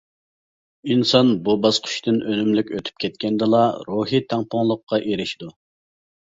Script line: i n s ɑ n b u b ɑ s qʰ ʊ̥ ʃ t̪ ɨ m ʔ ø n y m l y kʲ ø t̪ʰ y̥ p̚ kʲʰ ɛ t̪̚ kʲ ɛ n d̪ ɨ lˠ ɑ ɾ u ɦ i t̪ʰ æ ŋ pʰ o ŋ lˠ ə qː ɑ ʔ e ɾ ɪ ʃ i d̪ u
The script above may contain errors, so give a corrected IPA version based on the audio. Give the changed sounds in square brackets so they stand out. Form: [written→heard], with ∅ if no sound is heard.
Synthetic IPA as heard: i n s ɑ n b u b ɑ s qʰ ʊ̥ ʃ t̪ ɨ [m→n] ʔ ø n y m l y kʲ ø t̪ʰ y̥ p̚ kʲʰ ɛ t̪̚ kʲ ɛ n d̪ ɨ lˠ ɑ ɾ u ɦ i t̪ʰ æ ŋ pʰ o ŋ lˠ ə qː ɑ ʔ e ɾ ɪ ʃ i d̪ u